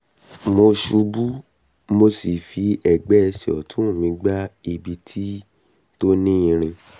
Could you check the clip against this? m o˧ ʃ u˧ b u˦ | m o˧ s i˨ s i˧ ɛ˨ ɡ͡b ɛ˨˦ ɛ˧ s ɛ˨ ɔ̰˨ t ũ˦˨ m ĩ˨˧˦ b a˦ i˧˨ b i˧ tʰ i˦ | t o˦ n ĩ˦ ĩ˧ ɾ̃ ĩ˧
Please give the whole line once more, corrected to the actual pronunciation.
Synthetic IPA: m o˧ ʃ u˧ b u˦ | m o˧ s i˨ f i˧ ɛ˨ ɡ͡b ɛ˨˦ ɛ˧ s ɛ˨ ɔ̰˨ t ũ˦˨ m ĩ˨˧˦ ɡ͡b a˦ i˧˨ b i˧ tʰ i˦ | t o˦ n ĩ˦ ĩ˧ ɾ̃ ĩ˧